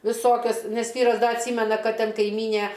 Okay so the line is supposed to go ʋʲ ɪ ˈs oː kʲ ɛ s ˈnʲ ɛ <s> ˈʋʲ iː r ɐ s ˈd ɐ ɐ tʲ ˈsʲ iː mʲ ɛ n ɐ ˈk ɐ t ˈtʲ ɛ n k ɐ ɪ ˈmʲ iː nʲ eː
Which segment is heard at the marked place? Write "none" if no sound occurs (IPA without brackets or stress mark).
s